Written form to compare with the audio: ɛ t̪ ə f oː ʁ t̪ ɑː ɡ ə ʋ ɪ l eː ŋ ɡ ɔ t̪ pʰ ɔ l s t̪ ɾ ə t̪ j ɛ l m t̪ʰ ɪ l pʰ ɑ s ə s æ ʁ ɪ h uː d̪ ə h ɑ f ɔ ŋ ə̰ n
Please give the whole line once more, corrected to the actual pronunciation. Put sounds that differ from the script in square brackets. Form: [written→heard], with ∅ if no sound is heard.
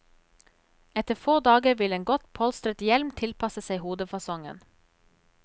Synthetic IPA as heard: ɛ t̪ ə f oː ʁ [t̪→d̪] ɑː ɡ ə ʋ ɪ l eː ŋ ɡ ɔ t̪ pʰ ɔ l s t̪ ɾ ə t̪ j ɛ l m t̪ʰ ɪ l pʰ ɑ s ə s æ [ʁ→∅] ɪ h uː d̪ ə [h→f] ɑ [f→s] ɔ ŋ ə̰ n

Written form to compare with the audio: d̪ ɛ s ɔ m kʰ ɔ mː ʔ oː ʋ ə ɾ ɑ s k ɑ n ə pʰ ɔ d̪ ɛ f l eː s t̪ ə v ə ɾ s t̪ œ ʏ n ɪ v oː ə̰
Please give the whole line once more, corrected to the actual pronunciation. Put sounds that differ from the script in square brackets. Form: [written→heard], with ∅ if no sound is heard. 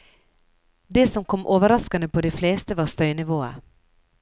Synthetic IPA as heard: d̪ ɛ s ɔ m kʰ ɔ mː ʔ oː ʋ ə ɾ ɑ s k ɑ n ə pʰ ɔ d̪ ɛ f l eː s t̪ ə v [ə→ɑ] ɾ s t̪ œ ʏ n ɪ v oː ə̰

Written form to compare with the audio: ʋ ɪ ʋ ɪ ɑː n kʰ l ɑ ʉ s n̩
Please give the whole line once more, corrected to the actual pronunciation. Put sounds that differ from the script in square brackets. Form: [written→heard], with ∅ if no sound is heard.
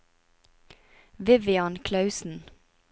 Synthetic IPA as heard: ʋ ɪ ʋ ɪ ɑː n kʰ l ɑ ʉ s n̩

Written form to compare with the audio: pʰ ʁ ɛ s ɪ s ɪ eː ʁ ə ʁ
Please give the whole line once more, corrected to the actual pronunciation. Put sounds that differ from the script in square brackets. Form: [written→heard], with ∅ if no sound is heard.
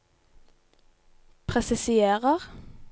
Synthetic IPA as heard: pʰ ʁ ɛ s ɪ s ɪ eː ʁ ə ʁ

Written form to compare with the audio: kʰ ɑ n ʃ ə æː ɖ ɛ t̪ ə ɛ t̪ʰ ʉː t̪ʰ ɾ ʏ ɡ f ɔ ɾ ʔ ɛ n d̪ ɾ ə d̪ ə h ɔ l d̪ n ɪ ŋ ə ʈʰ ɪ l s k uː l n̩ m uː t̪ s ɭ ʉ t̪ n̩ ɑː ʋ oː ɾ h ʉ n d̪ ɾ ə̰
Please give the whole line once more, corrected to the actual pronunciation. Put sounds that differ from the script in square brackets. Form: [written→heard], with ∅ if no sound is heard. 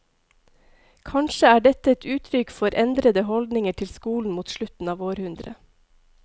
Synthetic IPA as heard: kʰ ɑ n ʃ ə æː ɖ ɛ t̪ ə ɛ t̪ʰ ʉː t̪ʰ ɾ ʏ [ɡ→k] f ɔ ɾ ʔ ɛ n d̪ ɾ ə d̪ ə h ɔ l d̪ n ɪ ŋ ə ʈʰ ɪ l s k uː l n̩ m uː t̪ [s→ʃ] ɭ ʉ t̪ n̩ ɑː ʋ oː ɾ h ʉ n d̪ ɾ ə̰

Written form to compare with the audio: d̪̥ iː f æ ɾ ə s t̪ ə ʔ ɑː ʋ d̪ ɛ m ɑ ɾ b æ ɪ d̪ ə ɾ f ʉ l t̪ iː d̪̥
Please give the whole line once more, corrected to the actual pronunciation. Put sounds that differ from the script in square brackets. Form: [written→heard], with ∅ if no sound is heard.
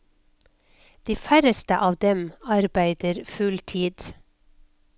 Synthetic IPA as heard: d̪̥ iː f æ ɾ ə s t̪ ə ʔ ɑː ʋ d̪ ɛ m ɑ ɾ b æ ɪ d̪ ə ɾ f ʉ l [t̪→t̪ʰ] iː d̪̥

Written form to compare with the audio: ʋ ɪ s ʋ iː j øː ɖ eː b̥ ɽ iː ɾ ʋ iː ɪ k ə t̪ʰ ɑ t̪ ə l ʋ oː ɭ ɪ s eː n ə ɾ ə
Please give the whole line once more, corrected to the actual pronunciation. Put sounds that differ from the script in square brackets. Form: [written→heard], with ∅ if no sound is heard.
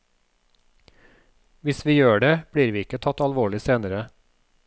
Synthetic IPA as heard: ʋ ɪ s ʋ iː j øː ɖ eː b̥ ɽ iː ɾ ʋ iː ɪ k ə t̪ʰ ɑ t̪ [ə→ɑ] l ʋ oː ɭ ɪ s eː n ə ɾ ə

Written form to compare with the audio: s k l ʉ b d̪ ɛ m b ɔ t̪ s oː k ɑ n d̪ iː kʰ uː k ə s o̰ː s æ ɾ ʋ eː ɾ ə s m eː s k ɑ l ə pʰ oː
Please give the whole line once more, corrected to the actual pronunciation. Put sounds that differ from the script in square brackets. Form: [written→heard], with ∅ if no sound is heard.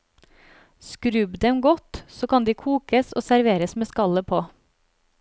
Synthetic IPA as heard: s k [l→ɾ] ʉ b d̪ ɛ m [b→ɡ] ɔ t̪ s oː k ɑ n d̪ iː kʰ uː k ə s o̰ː s æ ɾ ʋ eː ɾ ə s m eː s k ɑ l ə pʰ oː

